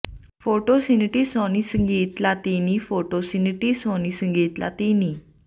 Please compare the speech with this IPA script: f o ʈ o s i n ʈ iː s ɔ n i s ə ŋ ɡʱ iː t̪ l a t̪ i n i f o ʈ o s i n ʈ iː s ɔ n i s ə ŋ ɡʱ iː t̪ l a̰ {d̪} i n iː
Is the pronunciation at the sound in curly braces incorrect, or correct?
incorrect